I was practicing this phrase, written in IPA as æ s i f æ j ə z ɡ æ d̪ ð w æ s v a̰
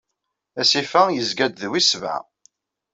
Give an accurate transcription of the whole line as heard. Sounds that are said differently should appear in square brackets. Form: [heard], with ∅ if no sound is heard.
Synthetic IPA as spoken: æ s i f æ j ə z ɡ æ d̪ ð w [i] s v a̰